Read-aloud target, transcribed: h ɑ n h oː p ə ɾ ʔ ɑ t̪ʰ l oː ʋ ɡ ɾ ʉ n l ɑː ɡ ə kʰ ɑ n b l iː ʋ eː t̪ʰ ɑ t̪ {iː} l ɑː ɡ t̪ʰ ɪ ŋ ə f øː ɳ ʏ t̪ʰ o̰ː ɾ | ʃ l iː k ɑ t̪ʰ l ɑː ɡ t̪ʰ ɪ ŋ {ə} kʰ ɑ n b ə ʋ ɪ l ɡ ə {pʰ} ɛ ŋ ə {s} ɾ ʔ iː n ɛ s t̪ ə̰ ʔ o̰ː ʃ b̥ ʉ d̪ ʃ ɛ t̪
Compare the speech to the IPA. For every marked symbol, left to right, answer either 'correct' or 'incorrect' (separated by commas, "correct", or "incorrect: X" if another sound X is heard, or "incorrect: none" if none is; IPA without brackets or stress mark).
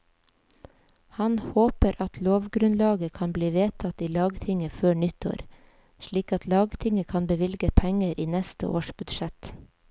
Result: correct, correct, correct, incorrect: none